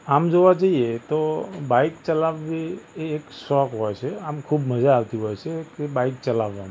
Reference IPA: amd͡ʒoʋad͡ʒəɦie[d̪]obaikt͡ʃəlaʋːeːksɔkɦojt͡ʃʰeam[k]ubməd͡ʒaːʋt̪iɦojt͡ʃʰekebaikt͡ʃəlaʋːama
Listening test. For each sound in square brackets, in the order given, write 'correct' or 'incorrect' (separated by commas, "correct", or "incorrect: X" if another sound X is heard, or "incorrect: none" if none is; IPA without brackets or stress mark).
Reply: incorrect: t̪, incorrect: kʰ